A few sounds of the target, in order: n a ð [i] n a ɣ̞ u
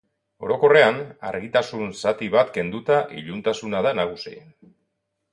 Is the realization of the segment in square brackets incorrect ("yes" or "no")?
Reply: yes